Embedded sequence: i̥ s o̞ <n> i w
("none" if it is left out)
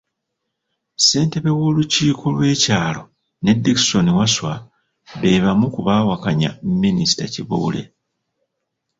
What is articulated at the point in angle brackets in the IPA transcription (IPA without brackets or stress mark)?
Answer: n